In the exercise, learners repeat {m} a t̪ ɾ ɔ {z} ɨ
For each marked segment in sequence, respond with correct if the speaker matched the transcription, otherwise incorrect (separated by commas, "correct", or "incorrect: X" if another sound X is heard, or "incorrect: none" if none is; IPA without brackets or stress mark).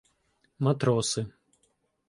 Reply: correct, incorrect: s